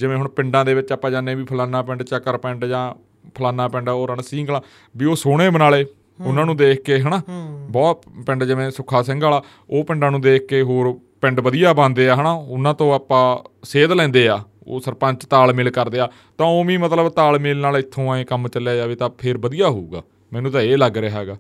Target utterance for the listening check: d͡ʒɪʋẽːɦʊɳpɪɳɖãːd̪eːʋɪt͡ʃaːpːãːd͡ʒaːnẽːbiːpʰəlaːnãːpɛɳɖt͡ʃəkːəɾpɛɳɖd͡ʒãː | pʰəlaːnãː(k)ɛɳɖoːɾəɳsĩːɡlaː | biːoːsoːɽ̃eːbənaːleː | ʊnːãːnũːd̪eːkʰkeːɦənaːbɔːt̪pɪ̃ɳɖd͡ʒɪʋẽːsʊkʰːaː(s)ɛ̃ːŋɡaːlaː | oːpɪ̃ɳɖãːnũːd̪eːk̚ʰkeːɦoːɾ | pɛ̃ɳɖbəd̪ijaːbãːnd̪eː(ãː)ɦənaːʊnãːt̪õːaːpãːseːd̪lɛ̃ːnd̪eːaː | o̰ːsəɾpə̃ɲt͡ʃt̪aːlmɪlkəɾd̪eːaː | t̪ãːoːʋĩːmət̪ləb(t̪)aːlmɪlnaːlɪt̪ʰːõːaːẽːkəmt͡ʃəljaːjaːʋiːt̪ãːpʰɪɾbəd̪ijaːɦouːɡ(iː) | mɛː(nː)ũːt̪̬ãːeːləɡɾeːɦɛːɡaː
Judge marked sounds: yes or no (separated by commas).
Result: no, yes, no, yes, no, no